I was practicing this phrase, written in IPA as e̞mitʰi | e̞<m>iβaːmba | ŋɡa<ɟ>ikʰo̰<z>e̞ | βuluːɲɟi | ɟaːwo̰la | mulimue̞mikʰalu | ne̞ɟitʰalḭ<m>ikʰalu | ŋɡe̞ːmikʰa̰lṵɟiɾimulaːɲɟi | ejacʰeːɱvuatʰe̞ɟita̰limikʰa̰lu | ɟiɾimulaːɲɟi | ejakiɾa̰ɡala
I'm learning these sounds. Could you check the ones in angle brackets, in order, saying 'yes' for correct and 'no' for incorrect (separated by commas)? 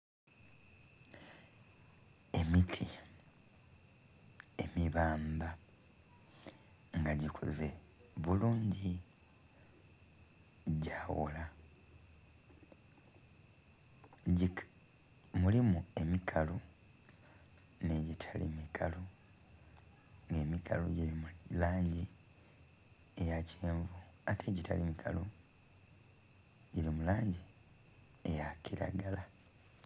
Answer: yes, yes, yes, yes